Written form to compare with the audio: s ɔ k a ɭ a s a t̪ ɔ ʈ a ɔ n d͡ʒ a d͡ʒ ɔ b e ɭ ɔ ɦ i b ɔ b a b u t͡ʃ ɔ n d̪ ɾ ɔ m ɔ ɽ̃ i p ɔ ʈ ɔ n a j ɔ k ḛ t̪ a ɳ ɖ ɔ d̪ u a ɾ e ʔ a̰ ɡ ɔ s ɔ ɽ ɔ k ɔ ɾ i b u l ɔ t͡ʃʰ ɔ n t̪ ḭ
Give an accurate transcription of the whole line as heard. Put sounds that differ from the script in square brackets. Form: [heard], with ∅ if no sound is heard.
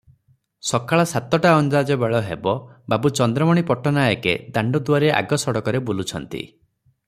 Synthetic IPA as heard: s ɔ k a ɭ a s a t̪ ɔ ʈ a ɔ n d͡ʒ a d͡ʒ ɔ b e ɭ ɔ ɦ [e] b ɔ b a b u t͡ʃ ɔ n d̪ ɾ ɔ m ɔ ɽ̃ i p ɔ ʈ ɔ n a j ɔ k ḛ [d̪] a ɳ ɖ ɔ d̪ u a ɾ e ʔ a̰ ɡ ɔ s ɔ ɽ ɔ k ɔ ɾ [e] b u l [u] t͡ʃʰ ɔ n t̪ ḭ